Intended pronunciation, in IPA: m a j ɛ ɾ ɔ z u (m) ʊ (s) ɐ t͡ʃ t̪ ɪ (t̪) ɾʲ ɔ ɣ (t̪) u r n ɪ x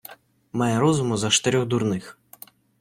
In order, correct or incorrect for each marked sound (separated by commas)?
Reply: correct, incorrect, incorrect, incorrect